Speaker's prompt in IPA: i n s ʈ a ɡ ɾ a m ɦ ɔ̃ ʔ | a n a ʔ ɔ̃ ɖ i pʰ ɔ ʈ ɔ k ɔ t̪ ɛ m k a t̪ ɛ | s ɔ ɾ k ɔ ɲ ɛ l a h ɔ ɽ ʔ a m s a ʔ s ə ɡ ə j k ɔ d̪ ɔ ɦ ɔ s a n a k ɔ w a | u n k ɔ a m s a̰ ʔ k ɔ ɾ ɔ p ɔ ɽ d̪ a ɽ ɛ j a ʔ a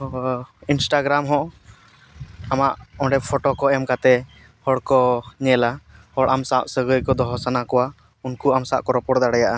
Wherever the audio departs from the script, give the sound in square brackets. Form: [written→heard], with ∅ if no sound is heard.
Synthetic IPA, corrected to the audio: i n s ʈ a ɡ ɾ a m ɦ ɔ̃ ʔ | a [n→m] a ʔ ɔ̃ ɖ [i→ɛ] pʰ ɔ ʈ ɔ k ɔ [t̪→∅] ɛ m k a t̪ ɛ | [s→h] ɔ [ɾ→ɽ] k ɔ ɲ ɛ l a h ɔ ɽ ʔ a m s a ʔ s ə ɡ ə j k ɔ d̪ ɔ ɦ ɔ s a n a k ɔ w a | u n k [ɔ→u] a m s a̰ ʔ k ɔ ɾ ɔ p ɔ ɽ d̪ a ɽ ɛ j a ʔ a